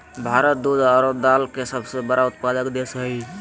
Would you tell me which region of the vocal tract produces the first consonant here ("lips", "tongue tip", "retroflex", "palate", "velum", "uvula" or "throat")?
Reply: lips